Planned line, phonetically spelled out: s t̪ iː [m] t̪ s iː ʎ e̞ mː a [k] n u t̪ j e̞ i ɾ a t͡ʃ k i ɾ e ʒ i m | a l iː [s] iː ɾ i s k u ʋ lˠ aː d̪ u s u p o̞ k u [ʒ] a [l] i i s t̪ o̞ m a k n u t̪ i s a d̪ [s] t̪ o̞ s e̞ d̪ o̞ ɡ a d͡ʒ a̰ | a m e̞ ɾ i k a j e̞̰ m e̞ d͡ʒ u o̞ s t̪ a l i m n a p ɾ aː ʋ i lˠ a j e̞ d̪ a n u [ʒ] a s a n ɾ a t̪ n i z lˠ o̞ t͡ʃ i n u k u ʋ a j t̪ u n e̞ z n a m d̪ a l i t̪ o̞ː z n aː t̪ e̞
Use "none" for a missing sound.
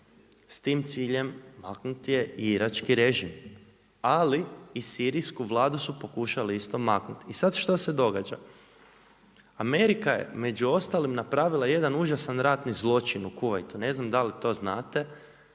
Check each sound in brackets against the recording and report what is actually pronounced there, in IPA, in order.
m, k, s, ʃ, l, ʃ, ʒ

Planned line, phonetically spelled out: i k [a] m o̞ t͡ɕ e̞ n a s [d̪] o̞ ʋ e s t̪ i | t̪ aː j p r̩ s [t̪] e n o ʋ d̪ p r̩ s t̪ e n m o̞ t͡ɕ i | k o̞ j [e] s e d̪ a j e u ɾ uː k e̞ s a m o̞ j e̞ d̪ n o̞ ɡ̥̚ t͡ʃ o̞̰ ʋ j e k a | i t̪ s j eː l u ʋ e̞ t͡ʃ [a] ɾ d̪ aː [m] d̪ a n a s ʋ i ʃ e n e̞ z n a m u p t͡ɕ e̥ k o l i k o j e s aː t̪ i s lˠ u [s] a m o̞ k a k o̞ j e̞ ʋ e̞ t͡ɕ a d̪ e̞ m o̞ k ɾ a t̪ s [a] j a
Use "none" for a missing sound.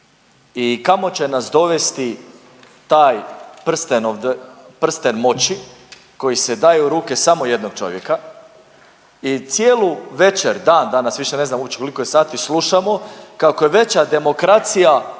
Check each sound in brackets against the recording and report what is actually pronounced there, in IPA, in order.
a, d̪, t̪, i, e, n, ʃ, i

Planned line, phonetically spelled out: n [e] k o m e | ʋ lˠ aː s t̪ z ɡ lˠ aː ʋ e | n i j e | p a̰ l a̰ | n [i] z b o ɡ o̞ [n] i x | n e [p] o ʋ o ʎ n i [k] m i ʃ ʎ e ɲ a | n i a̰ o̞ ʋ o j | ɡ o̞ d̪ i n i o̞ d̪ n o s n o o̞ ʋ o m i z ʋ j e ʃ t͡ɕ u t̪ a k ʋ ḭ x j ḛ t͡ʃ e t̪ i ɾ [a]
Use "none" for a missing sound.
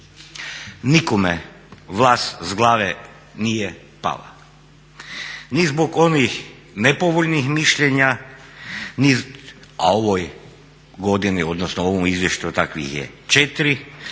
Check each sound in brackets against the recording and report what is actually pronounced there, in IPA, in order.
i, i, n, p, x, i

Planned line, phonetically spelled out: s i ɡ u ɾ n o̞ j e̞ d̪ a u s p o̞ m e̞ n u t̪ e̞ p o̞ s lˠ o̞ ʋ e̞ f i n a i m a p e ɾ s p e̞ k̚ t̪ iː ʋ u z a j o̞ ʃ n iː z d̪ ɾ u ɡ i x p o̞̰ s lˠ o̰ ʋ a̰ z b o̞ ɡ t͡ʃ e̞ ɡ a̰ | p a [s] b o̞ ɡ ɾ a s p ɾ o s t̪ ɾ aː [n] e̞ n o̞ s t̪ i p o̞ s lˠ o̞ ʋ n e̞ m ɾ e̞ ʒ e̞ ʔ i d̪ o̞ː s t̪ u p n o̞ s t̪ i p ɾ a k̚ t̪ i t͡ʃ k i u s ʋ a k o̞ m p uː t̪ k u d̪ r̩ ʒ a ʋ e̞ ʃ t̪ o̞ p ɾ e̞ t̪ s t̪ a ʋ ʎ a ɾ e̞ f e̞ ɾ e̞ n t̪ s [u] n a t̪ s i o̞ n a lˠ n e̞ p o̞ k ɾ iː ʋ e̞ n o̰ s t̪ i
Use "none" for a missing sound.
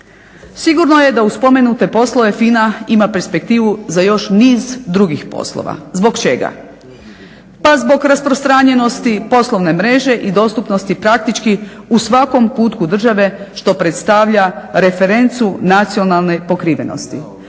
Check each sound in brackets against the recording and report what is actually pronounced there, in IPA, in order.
z, ɲ, u

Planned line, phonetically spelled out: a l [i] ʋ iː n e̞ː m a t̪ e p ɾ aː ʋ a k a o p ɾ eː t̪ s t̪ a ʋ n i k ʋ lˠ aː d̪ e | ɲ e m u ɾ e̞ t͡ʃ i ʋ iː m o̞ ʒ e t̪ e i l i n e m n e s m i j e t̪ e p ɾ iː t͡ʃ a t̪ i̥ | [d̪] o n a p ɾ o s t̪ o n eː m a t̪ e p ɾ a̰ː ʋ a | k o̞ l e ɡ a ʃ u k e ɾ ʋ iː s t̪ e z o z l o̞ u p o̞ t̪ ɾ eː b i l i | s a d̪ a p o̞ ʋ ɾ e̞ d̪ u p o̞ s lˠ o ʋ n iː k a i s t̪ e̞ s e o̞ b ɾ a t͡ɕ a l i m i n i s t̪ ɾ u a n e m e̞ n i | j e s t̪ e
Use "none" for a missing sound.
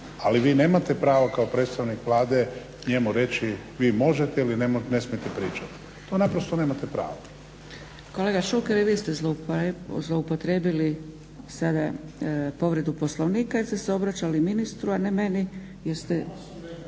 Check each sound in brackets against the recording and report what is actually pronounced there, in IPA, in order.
i, t̪

